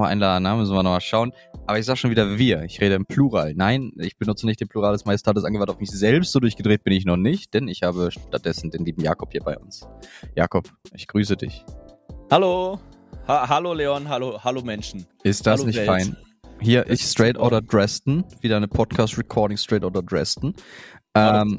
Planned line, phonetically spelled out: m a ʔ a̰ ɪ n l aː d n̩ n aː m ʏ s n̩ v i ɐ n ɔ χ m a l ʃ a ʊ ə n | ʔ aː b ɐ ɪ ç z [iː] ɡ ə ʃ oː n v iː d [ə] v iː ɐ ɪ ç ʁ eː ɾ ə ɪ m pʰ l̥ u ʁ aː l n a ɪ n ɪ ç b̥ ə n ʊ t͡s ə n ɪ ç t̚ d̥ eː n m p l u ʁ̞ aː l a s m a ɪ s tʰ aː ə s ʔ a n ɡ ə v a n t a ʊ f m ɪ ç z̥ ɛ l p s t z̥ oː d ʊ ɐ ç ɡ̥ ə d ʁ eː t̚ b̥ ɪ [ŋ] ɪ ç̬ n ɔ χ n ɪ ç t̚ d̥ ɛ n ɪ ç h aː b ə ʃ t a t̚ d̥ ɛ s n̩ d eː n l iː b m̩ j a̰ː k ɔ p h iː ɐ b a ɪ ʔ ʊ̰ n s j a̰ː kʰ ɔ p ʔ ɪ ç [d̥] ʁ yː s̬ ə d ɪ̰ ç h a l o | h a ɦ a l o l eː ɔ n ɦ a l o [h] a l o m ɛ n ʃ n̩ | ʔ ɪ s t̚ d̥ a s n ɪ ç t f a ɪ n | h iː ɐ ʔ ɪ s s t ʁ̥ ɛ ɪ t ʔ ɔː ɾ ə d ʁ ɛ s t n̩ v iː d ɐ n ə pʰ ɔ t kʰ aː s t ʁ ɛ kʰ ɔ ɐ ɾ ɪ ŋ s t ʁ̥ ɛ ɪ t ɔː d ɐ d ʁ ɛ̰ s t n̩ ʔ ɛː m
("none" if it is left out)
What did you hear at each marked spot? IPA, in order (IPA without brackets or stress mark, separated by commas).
aː, ɐ, n, ɡ̥, h